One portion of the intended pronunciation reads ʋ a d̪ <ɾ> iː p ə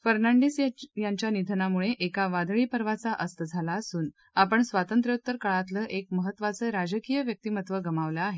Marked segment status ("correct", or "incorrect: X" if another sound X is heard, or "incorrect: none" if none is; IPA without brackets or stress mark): incorrect: ɭ